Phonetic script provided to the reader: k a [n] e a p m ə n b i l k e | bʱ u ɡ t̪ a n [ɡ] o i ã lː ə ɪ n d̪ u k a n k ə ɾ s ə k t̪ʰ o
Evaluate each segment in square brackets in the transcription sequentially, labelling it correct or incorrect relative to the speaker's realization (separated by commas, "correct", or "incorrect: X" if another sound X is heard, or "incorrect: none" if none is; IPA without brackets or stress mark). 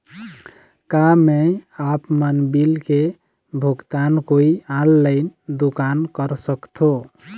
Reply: incorrect: m, incorrect: k